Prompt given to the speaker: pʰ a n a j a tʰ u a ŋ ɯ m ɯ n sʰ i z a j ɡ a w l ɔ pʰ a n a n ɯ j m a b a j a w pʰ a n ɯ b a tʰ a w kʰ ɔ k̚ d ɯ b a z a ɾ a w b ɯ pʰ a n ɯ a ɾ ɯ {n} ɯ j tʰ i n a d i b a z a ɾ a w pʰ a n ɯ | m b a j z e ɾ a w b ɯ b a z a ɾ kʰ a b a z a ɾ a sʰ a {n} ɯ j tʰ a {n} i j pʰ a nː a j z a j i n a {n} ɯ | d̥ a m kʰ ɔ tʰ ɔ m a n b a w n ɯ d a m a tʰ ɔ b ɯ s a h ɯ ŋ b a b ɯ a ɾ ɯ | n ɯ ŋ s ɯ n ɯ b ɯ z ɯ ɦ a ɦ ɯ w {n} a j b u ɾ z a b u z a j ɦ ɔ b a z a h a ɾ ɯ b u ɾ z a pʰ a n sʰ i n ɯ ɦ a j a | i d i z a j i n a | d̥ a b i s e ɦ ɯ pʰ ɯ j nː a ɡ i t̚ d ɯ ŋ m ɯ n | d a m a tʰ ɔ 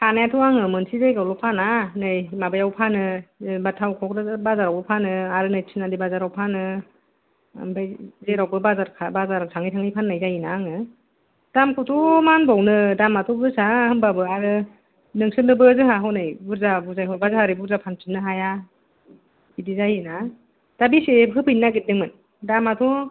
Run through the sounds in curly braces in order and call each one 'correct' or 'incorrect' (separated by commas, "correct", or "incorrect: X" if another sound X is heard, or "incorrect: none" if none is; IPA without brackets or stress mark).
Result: correct, incorrect: ŋ, incorrect: ŋ, incorrect: ŋ, correct